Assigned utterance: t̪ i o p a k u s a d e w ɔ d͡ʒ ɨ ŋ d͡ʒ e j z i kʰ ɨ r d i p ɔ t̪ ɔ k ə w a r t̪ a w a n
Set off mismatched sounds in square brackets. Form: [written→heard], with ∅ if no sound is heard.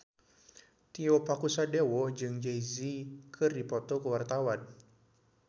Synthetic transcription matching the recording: t̪ i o p a k u s a d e w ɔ d͡ʒ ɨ ŋ d͡ʒ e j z i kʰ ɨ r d i p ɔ t̪ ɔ k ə w a r t̪ a w a n